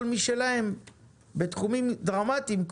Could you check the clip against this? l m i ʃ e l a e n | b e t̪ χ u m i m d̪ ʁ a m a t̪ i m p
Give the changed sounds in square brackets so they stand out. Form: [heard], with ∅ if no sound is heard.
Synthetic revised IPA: l m i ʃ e l a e [m] | b e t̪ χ u m i m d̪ ʁ a m a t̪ i m [k]